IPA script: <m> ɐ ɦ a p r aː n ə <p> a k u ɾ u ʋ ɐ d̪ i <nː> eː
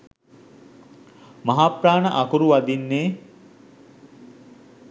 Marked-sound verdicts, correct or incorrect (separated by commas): correct, incorrect, correct